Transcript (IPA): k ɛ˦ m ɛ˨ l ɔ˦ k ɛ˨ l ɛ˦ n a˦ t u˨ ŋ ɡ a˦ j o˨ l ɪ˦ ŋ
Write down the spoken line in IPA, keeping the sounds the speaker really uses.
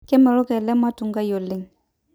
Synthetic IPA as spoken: k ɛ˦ m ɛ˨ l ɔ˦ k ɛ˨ l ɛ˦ m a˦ t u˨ ŋ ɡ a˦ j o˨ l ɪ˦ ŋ